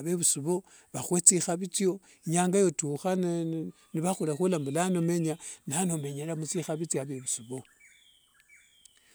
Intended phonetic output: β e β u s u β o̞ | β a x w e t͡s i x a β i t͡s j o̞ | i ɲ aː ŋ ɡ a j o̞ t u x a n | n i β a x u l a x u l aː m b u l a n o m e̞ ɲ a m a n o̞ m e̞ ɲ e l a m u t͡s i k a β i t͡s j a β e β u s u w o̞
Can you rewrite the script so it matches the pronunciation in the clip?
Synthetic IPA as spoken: β e β u s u β o̞ | β a x w e t͡s i x a β i t͡s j o̞ | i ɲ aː ŋ ɡ a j o̞ t u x a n | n i β a x u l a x u l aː m b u l a n o m e̞ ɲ a n a n o̞ m e̞ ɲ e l a m u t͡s i x a β i t͡s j a β e β u s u β o̞